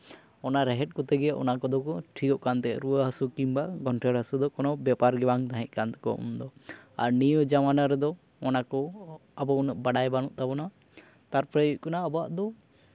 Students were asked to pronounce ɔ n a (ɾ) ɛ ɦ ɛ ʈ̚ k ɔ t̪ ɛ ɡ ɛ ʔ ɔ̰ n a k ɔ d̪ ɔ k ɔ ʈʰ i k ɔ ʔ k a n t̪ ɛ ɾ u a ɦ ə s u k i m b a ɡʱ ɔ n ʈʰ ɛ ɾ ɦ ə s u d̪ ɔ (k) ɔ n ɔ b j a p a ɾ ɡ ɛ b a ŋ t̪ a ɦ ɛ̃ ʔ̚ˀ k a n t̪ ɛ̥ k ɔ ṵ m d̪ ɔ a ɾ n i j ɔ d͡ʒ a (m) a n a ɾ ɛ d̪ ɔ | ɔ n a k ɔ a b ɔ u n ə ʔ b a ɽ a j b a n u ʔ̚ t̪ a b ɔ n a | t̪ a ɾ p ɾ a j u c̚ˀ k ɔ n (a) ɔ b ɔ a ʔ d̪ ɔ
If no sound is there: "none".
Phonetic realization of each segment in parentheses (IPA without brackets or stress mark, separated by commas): ɾ, k, m, a